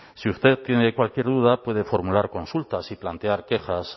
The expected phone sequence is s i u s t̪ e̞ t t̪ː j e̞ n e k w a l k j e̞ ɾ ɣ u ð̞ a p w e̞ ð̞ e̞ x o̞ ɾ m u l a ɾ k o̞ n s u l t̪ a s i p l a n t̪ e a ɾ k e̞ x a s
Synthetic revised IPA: s i u s t̪ e̞ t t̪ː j e̞ n e k w a l k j e̞ ɾ ð u ð̞ a p w e̞ ð̞ e̞ f o̞ ɾ m u l a ɾ k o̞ n s u l t̪ a s i p l a n t̪ e a ɾ k e̞ x a s